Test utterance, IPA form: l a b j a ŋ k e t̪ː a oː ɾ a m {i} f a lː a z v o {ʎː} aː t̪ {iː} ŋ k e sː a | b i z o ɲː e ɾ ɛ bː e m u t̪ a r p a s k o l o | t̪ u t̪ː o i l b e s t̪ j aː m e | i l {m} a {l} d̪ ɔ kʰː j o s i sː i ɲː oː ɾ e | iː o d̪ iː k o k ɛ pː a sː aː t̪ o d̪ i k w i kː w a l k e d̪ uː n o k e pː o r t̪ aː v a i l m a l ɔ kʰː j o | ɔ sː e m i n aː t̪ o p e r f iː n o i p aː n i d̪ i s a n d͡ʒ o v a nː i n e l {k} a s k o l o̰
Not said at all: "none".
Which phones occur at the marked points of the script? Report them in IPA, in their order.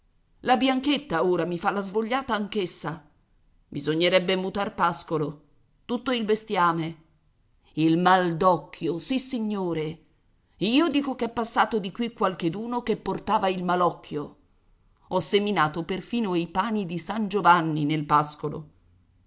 i, ʎː, aː, m, l, p

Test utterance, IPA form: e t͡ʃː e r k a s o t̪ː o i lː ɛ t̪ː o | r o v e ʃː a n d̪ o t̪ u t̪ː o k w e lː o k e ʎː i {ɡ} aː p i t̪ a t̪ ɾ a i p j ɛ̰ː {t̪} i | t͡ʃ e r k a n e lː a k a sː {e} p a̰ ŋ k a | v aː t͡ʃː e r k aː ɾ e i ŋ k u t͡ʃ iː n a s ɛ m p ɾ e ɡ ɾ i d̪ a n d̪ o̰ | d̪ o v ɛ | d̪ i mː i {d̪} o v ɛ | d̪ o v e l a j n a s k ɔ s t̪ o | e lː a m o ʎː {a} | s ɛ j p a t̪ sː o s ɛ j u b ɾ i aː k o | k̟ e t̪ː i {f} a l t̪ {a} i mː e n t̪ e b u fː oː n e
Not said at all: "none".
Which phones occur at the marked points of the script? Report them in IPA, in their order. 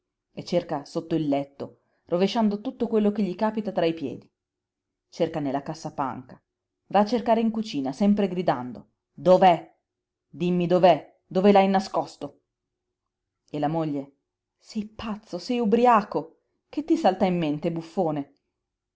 k, d̪, a, d̪, e, s, a

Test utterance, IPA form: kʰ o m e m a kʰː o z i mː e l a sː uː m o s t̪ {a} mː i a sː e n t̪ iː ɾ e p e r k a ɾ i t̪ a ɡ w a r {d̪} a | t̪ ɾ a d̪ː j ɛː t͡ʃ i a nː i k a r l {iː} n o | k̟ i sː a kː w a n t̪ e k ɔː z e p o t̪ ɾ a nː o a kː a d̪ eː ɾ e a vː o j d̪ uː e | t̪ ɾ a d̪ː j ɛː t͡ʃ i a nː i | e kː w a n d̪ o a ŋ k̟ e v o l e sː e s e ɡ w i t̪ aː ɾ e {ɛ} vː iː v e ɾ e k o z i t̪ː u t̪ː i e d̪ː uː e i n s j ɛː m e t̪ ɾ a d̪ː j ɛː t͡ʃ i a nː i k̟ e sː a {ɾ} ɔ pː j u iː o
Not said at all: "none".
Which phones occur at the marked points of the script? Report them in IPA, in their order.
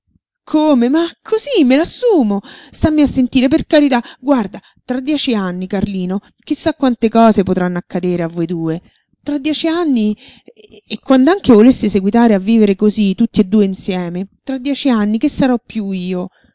a, d̪, iː, a, ɾ

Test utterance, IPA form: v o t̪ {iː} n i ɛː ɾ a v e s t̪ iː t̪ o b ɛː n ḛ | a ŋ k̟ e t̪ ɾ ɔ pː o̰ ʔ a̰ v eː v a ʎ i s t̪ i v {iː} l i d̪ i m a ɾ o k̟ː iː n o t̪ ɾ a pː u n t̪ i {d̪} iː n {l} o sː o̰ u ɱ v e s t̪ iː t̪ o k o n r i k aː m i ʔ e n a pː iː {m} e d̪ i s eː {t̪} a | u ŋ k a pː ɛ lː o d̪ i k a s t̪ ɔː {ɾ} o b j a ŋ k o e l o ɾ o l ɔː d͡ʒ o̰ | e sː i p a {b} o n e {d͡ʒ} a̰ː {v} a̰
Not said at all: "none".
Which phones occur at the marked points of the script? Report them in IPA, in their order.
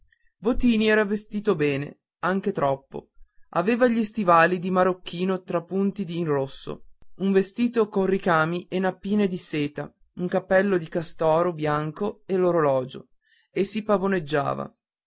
iː, aː, d̪, r, n, t̪, ɾ, v, d͡ʒː, v

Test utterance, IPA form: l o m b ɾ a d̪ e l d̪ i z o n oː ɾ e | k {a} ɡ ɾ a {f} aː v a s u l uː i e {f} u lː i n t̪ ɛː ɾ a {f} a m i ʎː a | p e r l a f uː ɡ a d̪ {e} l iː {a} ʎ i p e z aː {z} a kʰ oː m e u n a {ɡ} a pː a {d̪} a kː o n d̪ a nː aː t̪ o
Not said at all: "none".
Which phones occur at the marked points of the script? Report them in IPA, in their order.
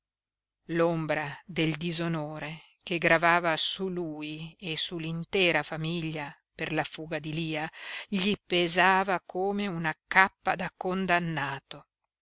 e, v, s, f, i, a, v, k, d̪

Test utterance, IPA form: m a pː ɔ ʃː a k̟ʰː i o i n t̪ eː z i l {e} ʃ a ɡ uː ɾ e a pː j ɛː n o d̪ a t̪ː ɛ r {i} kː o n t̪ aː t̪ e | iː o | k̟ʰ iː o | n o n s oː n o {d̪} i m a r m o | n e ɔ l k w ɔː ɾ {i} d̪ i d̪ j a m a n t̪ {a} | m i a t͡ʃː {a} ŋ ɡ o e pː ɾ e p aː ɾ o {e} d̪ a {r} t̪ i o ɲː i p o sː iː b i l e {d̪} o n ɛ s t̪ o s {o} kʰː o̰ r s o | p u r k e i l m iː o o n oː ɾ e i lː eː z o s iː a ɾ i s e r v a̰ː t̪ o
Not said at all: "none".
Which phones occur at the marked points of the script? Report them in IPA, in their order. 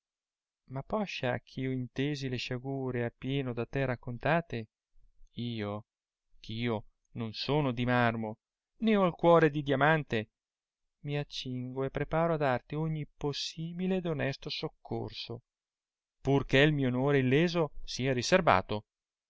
e, a, d̪, e, e, i, a, r, d̪, o

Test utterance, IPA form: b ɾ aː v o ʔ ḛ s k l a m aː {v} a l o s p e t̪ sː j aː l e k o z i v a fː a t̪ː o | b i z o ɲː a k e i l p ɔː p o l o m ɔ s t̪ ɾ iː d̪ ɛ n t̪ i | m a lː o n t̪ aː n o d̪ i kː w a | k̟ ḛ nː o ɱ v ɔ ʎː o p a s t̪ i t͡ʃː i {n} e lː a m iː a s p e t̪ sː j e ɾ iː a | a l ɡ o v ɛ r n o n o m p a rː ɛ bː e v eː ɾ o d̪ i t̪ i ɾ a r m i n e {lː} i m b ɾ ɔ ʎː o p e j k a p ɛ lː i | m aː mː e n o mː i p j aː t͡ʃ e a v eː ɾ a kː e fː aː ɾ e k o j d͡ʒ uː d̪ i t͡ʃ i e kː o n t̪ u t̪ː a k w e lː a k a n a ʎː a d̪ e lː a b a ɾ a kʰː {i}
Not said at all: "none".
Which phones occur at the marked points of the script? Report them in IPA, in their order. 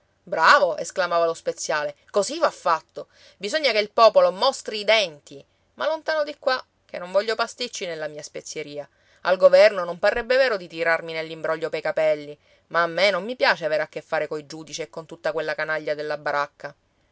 v, n, lː, a

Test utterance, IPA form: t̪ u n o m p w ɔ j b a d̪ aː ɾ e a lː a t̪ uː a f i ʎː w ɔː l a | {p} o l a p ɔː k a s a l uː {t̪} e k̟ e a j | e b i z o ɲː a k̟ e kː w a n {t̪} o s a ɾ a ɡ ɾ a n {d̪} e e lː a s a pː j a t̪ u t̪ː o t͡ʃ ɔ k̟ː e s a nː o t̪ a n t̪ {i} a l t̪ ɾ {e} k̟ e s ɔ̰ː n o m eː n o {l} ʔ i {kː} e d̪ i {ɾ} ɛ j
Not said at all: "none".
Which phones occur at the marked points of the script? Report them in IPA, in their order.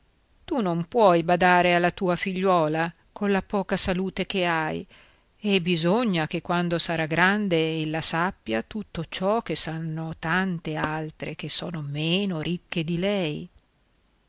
k, t̪, d̪, d̪, e, e, ɾ, kː, l

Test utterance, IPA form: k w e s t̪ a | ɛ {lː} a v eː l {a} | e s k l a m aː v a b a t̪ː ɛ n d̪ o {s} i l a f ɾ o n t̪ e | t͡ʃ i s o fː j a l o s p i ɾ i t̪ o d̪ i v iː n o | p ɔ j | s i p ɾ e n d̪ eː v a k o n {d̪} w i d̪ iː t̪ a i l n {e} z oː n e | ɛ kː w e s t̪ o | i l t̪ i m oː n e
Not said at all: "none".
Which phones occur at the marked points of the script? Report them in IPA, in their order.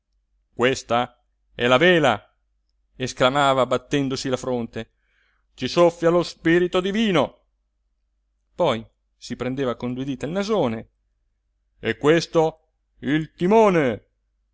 l, a, s, d̪, a

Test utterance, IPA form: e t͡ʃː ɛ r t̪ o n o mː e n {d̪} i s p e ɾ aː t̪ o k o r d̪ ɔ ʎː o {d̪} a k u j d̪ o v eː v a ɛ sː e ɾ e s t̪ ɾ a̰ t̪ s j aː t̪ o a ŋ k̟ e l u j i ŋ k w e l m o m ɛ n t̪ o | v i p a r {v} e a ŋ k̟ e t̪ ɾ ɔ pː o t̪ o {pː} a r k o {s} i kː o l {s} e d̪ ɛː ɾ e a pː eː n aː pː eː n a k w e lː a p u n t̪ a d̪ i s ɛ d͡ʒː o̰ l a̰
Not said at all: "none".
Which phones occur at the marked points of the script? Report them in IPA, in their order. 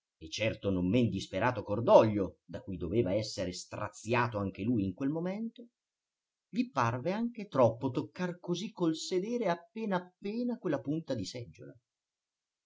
d̪, d̪, v, kː, z, s

